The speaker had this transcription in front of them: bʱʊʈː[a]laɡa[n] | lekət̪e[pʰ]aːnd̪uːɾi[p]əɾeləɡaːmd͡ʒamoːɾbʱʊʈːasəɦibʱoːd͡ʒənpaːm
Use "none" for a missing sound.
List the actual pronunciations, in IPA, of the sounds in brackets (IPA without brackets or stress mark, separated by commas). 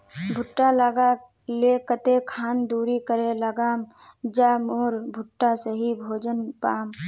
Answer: a, none, kʰ, k